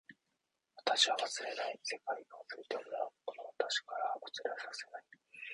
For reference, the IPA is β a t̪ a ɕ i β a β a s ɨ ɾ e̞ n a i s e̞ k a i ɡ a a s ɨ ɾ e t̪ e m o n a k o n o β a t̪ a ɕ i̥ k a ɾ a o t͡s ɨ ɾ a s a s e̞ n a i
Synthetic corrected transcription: β a t̪ a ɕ i β a β a s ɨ ɾ e̞ n a i s e̞ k a i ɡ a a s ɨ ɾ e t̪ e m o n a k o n o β a t̪ a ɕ i̥ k a ɾ a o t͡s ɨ ɾ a s a s e̞ n a i

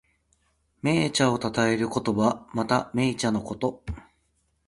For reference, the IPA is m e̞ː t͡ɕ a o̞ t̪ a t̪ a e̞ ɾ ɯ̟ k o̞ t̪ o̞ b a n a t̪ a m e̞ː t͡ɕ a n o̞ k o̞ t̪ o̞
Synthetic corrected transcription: m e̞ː t͡ɕ a o̞ t̪ a t̪ a e̞ ɾ ɯ̟ k o̞ t̪ o̞ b a m a t̪ a m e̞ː t͡ɕ a n o̞ k o̞ t̪ o̞

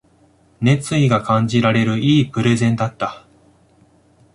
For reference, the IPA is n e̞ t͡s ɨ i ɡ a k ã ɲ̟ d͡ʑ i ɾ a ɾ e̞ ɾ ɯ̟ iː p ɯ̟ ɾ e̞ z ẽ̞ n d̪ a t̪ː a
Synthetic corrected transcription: n e̞ t͡s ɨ i ɡ a k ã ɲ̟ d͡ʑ i ɾ a ɾ e̞ ɾ ɯ̟ iː p ɯ̟ ɾ e̞ z ẽ̞ n d̪ a t̪ː a

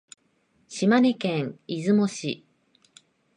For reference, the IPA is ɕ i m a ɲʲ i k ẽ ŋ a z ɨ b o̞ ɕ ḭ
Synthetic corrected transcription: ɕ i m a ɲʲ i k ẽ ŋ i z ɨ m o̞ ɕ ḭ

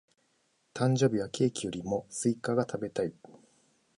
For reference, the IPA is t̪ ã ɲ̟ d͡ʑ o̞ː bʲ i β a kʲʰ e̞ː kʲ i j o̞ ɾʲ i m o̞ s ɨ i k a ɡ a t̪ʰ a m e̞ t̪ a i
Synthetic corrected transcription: t̪ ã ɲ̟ d͡ʑ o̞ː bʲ i β a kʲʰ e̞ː kʲ i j o̞ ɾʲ i m o̞ s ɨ i k a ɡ a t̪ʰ a b e̞ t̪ a i

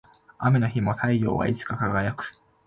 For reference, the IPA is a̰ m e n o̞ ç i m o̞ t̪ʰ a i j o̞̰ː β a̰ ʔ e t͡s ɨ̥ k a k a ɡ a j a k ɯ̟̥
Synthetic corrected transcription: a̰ m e n o̞ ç i m o̞ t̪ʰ a i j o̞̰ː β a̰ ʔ i t͡s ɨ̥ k a k a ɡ a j a k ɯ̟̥

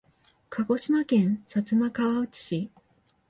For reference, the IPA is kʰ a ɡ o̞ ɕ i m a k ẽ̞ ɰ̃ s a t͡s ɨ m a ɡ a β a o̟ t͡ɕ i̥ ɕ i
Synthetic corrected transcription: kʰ a ɡ o̞ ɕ i m a k ẽ̞ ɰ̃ s a t͡s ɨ m a k a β a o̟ t͡ɕ i̥ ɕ i

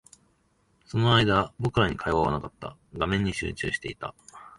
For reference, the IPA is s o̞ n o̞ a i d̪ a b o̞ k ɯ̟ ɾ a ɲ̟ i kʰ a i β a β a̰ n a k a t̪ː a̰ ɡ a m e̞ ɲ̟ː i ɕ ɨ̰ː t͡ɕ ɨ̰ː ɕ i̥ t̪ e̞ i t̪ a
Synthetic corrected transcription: s o̞ n o̞ a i d̪ a b o̞ k ɯ̟ ɾ a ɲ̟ i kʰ a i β a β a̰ n a k a t̪ː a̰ ɡ a m ẽ̞ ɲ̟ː i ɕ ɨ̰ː t͡ɕ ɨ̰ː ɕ i̥ t̪ e̞ i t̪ a

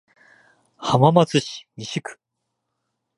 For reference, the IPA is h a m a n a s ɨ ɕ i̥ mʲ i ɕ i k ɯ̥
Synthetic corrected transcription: h a m a m a t͡s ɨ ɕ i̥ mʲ i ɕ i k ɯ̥

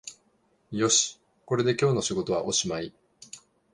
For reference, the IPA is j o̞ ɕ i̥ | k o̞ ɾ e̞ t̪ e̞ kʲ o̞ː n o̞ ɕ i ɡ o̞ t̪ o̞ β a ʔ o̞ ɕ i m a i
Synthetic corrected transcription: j o̞ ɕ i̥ | k o̞ ɾ e̞ d̪ e̞ kʲ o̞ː n o̞ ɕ i ɡ o̞ t̪ o̞ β a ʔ o̞ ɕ i m a i

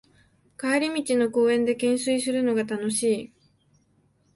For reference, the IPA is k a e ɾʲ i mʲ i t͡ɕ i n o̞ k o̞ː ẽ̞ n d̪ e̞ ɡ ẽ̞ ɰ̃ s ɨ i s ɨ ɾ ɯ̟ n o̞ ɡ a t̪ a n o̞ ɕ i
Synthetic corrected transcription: k a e ɾʲ i mʲ i t͡ɕ i n o̞ k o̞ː ẽ̞ n d̪ e̞ k ẽ̞ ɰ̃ s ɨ i s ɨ ɾ ɯ̟ n o̞ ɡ a t̪ a n o̞ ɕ iː

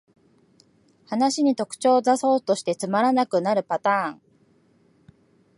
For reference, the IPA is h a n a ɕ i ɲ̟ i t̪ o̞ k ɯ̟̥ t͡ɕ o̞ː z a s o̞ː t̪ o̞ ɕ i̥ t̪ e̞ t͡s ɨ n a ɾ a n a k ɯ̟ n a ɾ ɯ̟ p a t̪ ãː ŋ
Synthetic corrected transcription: h a n a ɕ i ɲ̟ i t̪ o̞ k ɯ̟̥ t͡ɕ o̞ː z a s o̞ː t̪ o̞ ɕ i̥ t̪ e̞ t͡s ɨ m a ɾ a n a k ɯ̟ n a ɾ ɯ̟ p a t̪ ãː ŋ

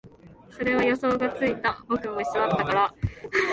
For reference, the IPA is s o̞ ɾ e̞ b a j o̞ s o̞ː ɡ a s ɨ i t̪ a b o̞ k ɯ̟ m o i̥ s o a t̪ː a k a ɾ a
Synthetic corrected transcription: s o̞ ɾ e̞ β a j o̞ s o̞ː ɡ a t͡s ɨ i t̪ a b o̞ k ɯ̟ m o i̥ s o a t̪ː a k a ɾ a

